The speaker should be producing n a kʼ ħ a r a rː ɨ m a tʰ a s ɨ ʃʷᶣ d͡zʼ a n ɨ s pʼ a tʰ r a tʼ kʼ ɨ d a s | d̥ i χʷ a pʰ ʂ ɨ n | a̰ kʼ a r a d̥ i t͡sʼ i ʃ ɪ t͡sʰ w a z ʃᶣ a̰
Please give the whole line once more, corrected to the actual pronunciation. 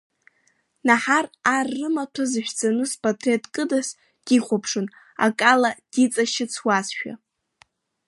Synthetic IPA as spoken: n a ħ a r a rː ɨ m a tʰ a z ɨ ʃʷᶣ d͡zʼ a n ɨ s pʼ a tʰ r e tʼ kʼ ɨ d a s | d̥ i χʷ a pʰ ʂ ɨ n | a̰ kʼ a l a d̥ i t͡sʼ a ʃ ɪ t͡sʰ w a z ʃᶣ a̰